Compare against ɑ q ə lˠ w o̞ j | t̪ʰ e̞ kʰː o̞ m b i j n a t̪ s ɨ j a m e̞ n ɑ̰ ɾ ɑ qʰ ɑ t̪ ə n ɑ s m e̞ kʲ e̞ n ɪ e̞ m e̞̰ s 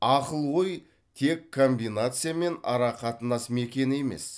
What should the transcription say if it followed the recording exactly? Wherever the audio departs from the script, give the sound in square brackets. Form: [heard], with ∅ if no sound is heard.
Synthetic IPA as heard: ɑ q ə lˠ w o̞ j | t̪ʰ e̞ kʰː o̞ m b i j n a t̪ s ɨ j a m e̞ n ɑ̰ ɾ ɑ qʰ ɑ t̪ ə n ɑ s m e̞ kʲ e̞ n ɪ e̞ m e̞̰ s